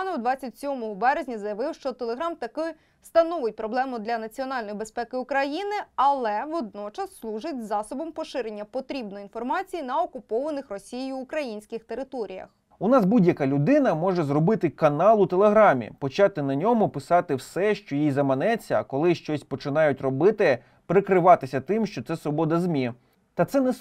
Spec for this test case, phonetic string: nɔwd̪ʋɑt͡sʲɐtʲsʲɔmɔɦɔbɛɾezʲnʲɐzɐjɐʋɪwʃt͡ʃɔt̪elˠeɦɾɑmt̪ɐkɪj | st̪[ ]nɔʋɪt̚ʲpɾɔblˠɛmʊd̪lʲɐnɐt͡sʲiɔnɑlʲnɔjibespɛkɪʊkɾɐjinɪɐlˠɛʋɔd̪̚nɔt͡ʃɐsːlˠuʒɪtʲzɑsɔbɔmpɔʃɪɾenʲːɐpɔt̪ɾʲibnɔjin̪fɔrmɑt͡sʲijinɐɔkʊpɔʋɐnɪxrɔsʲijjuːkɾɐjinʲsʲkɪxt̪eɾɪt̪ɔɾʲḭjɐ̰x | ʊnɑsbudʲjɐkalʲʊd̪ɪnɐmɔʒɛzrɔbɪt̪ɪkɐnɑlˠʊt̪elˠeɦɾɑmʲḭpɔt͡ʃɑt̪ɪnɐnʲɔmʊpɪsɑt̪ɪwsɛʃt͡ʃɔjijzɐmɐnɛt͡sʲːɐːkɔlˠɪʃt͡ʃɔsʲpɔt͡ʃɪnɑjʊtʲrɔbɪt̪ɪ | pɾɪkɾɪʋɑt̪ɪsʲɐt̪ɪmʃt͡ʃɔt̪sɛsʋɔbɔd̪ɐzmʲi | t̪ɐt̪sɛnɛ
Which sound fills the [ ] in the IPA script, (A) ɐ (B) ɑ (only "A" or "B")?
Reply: A